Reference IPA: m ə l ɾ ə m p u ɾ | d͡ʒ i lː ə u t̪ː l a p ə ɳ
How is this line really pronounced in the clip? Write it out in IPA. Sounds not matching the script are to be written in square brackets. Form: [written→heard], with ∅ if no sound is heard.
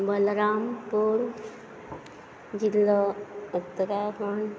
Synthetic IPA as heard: [m→b] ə l ɾ [ə→a] m p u ɾ | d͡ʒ i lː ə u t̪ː [l→ɾ] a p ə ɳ

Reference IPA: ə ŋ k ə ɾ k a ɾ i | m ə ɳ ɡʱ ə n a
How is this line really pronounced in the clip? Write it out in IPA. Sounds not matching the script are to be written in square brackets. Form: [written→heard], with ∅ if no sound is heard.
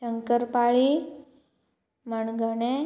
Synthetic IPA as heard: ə ŋ k ə ɾ [k→p] a [ɾ→ɭ] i | m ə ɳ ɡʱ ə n [a→e]

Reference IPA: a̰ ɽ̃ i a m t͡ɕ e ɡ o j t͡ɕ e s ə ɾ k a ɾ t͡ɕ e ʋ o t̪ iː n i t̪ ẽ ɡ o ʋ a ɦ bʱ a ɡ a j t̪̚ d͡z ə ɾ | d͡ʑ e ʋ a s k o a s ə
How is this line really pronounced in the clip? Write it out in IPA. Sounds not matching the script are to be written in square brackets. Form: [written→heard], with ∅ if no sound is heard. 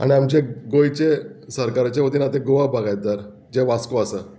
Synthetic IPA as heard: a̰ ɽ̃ i a m t͡ɕ e ɡ o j t͡ɕ e s ə ɾ k a ɾ t͡ɕ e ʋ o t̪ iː n [i→a] t̪ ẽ ɡ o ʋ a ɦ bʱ a ɡ a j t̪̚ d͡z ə ɾ | d͡ʑ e ʋ a s k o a s ə

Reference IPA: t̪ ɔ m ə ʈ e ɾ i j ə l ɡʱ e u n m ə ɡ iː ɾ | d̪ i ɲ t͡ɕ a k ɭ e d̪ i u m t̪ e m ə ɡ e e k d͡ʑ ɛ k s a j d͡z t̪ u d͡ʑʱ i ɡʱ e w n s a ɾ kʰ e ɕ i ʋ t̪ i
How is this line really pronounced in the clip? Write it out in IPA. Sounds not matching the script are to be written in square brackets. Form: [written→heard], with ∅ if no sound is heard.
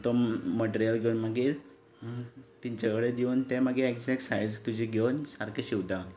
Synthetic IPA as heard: t̪ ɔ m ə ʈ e ɾ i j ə l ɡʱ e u n m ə ɡ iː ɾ | [d̪→t̪] i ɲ t͡ɕ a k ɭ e d̪ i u [m→n] t̪ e m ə ɡ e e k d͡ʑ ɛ k s a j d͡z t̪ u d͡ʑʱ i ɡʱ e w n s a ɾ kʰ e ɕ i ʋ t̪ [i→a]

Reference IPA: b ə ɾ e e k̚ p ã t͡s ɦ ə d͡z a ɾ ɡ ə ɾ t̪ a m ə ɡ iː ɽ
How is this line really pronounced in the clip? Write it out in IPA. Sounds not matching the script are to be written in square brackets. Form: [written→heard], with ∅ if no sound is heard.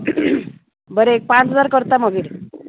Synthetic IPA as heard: b ə ɾ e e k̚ p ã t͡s ɦ ə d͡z a ɾ [ɡ→k] ə ɾ t̪ a m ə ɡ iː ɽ

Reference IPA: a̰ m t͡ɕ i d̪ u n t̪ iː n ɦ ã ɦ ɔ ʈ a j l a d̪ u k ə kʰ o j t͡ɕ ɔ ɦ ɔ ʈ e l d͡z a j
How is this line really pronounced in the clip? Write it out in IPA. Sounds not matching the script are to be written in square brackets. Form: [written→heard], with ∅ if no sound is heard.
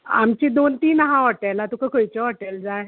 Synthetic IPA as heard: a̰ m t͡ɕ i d̪ [u→o] n t̪ iː n ɦ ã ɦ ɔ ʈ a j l a [d̪→t̪] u k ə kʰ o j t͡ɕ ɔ ɦ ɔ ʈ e l d͡z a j

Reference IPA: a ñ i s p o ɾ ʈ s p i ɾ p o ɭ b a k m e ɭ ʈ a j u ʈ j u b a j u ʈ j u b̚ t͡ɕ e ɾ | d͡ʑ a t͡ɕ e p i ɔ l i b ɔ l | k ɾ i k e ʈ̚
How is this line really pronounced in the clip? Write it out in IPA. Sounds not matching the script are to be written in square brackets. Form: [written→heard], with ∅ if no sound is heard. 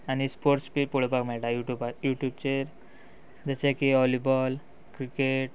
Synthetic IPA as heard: a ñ i s p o ɾ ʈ s p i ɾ p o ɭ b a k m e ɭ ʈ a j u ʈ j u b a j u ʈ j u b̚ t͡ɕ e ɾ | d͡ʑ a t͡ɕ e [p→k] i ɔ l i b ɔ l | k ɾ i k e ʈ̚

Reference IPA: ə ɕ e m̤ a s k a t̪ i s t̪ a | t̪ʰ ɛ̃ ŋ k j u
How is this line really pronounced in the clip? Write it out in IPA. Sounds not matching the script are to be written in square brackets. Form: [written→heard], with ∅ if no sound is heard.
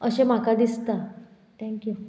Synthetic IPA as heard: ə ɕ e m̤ a [s→∅] k a [t̪→d̪] i s t̪ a | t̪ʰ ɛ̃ ŋ k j u

